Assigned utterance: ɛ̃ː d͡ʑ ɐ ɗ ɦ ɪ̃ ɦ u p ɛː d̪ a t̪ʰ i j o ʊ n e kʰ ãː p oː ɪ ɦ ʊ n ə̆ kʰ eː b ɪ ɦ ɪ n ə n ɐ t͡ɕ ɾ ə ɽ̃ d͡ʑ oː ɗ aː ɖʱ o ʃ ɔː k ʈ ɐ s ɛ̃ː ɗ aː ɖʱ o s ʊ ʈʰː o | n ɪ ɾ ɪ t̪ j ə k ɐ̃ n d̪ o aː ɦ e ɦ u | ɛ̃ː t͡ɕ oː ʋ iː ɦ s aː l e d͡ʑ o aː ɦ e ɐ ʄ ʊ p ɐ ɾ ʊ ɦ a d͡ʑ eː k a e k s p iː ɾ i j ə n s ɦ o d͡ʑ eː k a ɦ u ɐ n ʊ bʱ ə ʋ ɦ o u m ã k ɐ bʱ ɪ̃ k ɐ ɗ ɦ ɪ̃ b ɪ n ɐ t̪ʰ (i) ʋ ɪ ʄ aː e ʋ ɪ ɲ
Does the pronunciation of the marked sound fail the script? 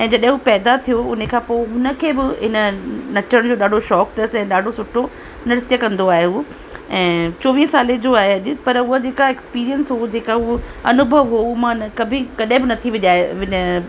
no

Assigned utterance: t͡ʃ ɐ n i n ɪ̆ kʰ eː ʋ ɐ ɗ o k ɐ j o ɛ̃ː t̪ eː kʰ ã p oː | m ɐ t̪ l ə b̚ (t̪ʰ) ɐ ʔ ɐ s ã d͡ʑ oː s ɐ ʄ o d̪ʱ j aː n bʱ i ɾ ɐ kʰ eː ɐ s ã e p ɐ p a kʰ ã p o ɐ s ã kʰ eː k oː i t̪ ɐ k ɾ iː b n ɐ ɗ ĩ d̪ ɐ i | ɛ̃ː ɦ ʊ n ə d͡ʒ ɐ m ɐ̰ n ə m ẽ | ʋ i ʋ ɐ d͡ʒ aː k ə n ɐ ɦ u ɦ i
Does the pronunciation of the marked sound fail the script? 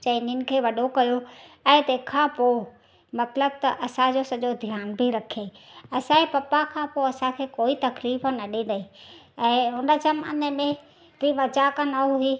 yes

